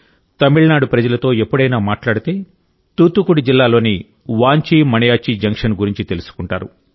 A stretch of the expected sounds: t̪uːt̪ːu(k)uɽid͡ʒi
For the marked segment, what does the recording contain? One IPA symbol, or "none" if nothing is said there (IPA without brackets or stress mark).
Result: k